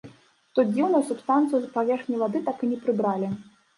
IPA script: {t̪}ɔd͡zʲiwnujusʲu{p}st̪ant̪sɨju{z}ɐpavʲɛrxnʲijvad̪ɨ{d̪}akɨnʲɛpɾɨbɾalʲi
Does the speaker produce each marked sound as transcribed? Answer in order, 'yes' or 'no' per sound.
yes, yes, yes, no

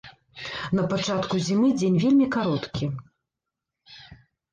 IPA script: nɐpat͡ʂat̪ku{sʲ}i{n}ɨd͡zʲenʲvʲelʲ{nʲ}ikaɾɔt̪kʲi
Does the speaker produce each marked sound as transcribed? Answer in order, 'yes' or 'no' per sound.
no, no, no

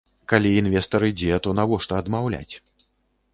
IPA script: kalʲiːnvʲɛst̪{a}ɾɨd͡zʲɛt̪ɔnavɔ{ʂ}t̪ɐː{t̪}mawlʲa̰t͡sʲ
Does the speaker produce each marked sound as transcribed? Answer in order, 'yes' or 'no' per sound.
no, yes, no

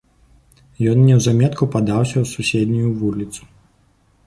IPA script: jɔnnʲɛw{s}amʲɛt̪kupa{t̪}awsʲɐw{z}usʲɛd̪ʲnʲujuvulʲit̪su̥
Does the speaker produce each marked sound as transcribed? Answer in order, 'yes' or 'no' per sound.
no, no, no

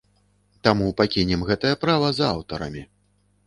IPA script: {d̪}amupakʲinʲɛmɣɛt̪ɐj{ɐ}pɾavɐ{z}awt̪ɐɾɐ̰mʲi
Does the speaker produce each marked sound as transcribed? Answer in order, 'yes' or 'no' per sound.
no, yes, yes

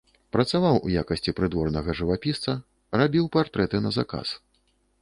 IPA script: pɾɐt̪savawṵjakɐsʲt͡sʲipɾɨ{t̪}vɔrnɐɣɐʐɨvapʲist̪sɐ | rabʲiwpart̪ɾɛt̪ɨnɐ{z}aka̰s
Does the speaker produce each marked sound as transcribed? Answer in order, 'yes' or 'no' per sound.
no, yes

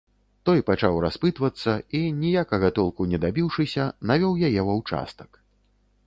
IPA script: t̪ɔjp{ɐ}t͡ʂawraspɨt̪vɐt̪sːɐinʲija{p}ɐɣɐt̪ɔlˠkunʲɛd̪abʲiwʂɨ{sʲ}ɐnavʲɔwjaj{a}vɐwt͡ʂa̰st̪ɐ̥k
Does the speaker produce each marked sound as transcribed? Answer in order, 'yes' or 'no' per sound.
no, no, yes, no

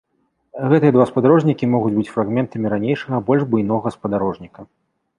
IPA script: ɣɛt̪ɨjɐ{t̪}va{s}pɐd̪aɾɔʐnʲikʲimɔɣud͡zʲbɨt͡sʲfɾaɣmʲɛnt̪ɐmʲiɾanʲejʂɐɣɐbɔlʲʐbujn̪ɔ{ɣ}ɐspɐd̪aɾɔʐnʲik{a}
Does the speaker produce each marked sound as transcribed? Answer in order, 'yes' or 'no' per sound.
no, yes, yes, no

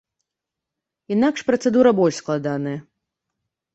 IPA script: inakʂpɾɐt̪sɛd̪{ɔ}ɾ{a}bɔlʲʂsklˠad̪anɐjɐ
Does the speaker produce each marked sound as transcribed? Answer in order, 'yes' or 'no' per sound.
no, no

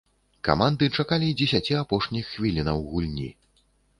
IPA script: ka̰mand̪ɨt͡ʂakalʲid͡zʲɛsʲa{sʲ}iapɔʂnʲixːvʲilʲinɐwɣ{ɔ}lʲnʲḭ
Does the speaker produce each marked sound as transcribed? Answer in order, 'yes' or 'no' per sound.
no, no

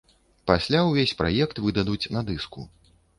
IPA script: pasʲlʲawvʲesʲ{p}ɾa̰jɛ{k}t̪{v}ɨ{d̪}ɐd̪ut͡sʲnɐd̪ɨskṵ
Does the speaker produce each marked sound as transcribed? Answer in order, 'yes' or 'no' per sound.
yes, yes, yes, yes

